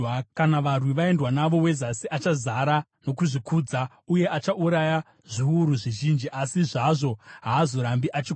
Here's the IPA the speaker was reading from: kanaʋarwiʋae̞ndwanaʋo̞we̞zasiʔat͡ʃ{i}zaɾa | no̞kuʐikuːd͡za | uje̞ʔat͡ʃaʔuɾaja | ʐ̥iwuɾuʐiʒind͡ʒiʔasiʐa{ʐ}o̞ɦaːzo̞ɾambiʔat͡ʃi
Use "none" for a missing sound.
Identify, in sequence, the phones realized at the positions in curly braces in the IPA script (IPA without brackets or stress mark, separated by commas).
a, ʐ